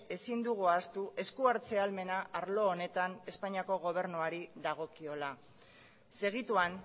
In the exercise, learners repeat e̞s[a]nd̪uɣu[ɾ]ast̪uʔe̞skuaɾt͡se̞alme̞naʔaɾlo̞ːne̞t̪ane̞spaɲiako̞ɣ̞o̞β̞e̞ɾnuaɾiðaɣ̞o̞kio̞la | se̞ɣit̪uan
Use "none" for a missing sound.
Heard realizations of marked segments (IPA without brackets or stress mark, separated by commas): i, none